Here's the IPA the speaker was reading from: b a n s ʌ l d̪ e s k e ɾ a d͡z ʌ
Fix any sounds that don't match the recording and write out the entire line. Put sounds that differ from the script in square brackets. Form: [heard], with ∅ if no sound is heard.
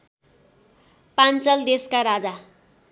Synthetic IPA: [p] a n [t͡s] ʌ l d̪ e s k [a] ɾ a d͡z [a]